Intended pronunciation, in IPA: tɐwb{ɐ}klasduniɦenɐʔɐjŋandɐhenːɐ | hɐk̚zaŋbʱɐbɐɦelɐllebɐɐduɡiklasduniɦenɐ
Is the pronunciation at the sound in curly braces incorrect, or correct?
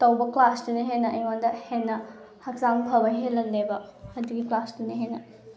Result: correct